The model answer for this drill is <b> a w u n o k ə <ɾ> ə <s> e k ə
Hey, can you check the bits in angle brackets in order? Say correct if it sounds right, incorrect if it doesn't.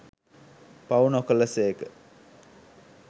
incorrect, incorrect, correct

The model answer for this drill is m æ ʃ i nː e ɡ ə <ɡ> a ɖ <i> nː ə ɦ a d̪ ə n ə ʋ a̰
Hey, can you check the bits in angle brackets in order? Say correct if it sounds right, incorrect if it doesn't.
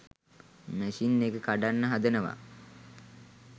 incorrect, incorrect

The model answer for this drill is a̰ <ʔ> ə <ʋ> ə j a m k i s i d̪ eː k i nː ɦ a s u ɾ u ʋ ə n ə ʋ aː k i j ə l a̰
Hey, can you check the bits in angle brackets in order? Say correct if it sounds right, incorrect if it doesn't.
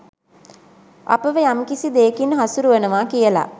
incorrect, correct

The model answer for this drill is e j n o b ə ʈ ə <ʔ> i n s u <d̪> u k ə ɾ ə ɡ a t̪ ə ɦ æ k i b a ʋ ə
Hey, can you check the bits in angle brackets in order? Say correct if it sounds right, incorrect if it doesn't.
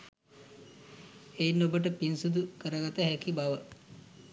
incorrect, correct

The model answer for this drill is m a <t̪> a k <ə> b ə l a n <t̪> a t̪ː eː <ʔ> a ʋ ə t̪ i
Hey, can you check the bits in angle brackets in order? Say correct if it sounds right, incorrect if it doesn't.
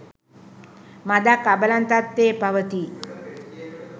incorrect, incorrect, correct, incorrect

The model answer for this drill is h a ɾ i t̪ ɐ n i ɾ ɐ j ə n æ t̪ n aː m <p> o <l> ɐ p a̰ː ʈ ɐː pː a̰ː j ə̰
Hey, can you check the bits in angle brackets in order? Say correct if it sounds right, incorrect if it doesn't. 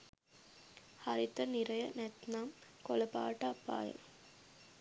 incorrect, correct

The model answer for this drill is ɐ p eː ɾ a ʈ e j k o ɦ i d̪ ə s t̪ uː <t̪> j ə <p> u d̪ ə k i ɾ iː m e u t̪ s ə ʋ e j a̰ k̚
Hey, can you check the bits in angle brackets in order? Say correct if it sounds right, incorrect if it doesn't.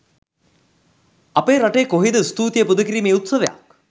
correct, correct

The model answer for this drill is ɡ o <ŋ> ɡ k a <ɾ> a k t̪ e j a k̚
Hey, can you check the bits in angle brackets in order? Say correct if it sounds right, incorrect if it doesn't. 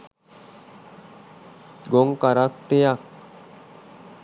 correct, correct

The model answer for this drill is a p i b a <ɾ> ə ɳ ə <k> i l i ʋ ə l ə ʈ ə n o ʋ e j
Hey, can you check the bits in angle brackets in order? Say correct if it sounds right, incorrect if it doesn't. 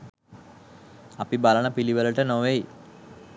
incorrect, incorrect

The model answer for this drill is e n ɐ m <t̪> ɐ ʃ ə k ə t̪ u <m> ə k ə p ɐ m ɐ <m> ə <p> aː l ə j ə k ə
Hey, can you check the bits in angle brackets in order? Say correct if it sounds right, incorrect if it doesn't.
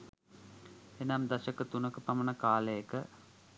incorrect, incorrect, incorrect, incorrect

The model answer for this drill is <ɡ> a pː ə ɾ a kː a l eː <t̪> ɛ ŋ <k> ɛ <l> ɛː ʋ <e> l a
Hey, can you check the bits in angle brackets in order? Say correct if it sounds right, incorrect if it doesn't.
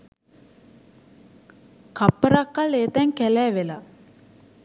incorrect, correct, correct, correct, correct

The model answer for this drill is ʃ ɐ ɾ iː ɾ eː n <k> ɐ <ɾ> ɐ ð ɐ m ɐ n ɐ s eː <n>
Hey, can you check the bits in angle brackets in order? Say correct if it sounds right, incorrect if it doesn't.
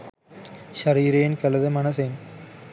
correct, incorrect, correct

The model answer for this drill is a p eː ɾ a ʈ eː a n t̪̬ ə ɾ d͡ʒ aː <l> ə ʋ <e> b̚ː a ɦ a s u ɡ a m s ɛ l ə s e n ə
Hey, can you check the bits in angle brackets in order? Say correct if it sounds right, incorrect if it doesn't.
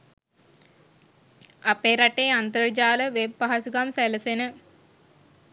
correct, correct

